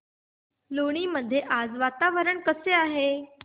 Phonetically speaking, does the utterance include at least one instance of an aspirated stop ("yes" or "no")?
no